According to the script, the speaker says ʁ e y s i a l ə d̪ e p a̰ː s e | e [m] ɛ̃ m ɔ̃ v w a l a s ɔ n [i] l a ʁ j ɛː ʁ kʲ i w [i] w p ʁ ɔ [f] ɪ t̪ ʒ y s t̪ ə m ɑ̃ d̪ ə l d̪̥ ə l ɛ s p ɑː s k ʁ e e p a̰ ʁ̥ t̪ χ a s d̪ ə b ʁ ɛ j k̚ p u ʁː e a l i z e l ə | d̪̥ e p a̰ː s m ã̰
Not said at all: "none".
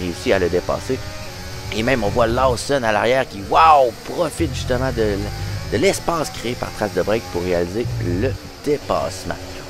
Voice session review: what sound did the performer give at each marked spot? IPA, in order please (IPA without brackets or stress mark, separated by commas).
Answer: m, a, a, f